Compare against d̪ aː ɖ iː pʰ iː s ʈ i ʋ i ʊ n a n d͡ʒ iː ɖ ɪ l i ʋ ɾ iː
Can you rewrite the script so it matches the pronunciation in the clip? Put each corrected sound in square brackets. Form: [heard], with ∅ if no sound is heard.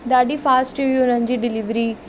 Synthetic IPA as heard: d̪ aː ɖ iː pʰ [aː] s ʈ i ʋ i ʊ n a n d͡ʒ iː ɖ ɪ l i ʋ ɾ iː